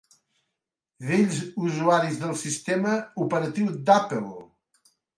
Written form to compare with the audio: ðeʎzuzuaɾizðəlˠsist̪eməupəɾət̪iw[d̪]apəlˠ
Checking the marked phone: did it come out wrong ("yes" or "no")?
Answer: no